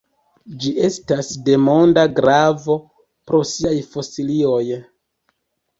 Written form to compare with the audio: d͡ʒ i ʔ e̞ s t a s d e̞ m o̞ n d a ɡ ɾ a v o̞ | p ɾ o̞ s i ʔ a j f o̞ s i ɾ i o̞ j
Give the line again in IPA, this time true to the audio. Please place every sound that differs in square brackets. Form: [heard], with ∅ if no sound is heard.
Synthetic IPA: d͡ʒ i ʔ e̞ s t a s d e̞ m o̞ n d a ɡ ɾ a v o̞ | p ɾ o̞ s i [∅] a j f o̞ s i [l] i o̞ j